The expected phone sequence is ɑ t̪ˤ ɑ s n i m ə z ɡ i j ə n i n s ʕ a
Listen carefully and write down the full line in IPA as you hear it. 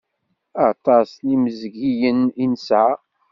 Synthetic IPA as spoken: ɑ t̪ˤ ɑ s n i m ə z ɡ i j ə n i n s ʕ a